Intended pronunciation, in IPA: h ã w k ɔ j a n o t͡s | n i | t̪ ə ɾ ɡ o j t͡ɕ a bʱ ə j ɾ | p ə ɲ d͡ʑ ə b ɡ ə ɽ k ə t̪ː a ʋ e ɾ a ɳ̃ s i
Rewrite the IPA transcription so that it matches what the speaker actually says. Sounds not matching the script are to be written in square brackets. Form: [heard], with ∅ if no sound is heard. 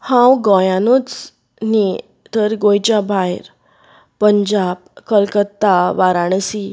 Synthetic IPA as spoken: h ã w [ɡ] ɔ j a n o t͡s | n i | t̪ ə ɾ ɡ o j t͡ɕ a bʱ [a] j ɾ | p ə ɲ d͡ʑ [a] b [k] ə [l] k ə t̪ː a ʋ [a] ɾ a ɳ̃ s i